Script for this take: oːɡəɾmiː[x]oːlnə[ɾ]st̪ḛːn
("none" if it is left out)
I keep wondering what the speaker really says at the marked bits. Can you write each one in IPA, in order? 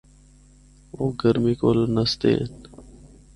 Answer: k, none

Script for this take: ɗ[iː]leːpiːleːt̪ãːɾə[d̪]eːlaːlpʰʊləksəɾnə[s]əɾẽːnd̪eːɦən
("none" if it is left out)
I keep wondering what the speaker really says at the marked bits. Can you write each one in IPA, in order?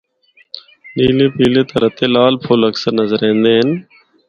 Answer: iː, t̪, z

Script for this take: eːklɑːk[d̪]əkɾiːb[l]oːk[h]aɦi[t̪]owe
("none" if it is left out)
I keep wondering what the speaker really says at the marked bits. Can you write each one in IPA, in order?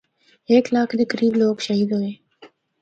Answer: d̪, l, ʃ, d̪

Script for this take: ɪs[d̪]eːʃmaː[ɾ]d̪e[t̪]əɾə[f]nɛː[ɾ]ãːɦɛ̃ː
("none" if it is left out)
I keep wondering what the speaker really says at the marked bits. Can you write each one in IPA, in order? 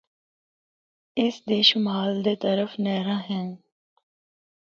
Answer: d̪, l, t̪, f, ɾ

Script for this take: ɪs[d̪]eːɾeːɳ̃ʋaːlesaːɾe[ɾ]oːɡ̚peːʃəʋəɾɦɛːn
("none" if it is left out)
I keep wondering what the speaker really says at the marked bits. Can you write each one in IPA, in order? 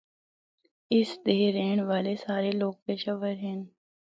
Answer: d̪, l

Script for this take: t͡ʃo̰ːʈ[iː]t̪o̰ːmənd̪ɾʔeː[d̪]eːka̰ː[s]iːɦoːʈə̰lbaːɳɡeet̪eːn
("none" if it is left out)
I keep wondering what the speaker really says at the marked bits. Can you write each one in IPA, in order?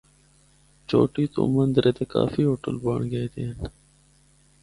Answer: iː, t̪, f

